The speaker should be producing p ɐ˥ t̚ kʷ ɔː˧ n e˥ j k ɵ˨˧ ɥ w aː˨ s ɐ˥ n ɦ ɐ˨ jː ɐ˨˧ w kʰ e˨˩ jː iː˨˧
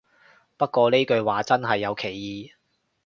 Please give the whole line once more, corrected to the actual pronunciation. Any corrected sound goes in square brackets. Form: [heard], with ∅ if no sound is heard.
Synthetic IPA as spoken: p ɐ˥ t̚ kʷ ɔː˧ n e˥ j k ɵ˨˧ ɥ w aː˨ [t͡s] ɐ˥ n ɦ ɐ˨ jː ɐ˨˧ w kʰ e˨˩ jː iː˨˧